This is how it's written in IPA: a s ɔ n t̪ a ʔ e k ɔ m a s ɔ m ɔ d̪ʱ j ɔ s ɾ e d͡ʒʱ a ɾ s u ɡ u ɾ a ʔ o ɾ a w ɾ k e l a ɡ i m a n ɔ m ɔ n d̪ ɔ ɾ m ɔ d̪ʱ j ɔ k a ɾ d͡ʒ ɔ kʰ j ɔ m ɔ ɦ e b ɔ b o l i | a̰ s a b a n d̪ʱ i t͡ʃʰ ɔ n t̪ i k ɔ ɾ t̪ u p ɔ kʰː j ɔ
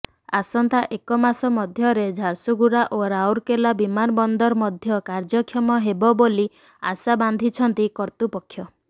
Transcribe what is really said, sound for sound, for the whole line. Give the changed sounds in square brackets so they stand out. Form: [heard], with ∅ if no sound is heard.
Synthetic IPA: a s ɔ n t̪ a ʔ e k ɔ m a s ɔ m ɔ d̪ʱ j ɔ [∅] ɾ e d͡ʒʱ a ɾ s u ɡ u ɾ a ʔ o ɾ a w ɾ k e l a [b] i m a n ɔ [b] ɔ n d̪ ɔ ɾ m ɔ d̪ʱ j ɔ k a ɾ d͡ʒ ɔ kʰ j ɔ m ɔ ɦ e b ɔ b o l i | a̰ s a b a n d̪ʱ i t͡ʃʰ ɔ n t̪ i k ɔ ɾ t̪ u p ɔ kʰː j ɔ